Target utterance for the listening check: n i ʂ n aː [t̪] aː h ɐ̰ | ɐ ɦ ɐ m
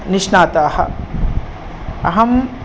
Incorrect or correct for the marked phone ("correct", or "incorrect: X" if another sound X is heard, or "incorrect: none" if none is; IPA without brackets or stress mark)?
correct